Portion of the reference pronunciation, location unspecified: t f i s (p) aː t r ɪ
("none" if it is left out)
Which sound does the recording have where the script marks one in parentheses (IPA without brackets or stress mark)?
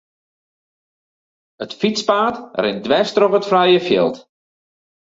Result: p